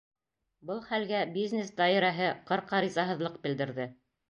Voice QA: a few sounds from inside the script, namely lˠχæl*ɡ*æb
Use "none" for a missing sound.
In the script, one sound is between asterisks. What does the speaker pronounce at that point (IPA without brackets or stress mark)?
ɡ